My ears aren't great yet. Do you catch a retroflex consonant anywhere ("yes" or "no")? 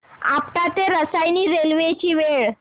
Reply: yes